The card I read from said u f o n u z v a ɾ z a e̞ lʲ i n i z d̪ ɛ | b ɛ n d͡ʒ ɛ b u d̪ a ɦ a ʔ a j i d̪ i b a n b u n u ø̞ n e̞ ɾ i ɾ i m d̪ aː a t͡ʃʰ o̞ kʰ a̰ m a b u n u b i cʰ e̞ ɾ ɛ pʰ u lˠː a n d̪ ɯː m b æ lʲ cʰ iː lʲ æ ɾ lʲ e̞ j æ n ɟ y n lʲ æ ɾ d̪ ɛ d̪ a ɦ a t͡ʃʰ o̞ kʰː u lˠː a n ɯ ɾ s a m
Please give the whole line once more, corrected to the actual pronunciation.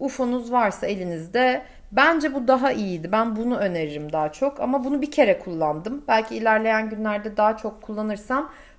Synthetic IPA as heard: u f o n u z v a ɾ s a e̞ lʲ i n i z d̪ ɛ | b æ n d͡ʒ ɛ b u d̪ a ɦ a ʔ i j i d̪ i b æ n b u n u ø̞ n e̞ ɾ i ɾ i m d̪ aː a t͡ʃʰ o̞ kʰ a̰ m a b u n u b i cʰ e̞ ɾ ɛ kʰ u lˠː a n d̪ ɯ m b æ lʲ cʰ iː lʲ æ ɾ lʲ e̞ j æ n ɟ y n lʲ æ ɾ d̪ ɛ d̪ a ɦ a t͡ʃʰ o̞ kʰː u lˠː a n ɯ ɾ s a m